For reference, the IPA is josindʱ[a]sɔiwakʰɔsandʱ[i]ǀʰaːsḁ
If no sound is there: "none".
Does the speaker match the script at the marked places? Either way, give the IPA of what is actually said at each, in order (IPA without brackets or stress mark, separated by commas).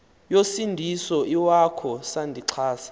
i, i